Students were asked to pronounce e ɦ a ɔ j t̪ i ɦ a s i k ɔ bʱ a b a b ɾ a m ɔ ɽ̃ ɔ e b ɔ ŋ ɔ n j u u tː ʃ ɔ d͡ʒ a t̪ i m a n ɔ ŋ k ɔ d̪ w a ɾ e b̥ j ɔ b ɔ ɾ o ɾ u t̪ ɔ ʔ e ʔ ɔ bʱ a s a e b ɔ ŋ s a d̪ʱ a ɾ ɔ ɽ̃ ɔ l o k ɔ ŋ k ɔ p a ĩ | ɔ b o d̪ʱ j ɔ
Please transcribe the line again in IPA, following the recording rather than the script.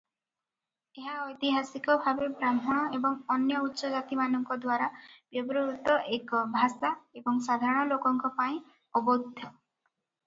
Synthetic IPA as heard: e ɦ a ɔ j t̪ i ɦ a s i k ɔ bʱ a b e b ɾ a m ɔ ɽ̃ ɔ e b ɔ ŋ ɔ n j ɔ u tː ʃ ɔ d͡ʒ a t̪ i m a n ɔ ŋ k ɔ d̪ w a ɾ a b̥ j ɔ b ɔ ɾ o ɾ u t̪ ɔ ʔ e k ɔ bʱ a s a e b ɔ ŋ s a d̪ʱ a ɾ ɔ ɽ̃ ɔ l o k ɔ ŋ k ɔ p a ĩ | ɔ b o d̪ʱ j ɔ